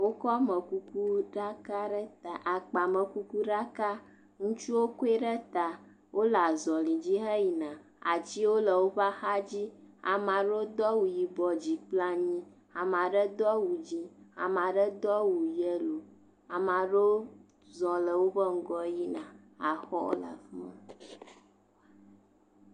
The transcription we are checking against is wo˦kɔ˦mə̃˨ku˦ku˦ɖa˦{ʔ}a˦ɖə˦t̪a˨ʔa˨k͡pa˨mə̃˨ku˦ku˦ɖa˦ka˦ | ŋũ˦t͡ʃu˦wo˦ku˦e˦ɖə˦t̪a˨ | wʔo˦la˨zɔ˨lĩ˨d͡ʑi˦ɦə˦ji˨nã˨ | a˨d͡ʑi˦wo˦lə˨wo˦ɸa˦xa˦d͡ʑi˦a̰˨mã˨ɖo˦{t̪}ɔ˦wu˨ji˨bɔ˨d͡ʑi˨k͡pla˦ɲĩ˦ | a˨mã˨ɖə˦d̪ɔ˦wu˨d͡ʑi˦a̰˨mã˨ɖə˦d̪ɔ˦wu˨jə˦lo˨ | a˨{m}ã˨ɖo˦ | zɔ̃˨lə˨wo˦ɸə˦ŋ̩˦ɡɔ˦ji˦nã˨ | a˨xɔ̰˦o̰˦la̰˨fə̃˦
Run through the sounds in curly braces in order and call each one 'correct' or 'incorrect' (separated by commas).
incorrect, incorrect, correct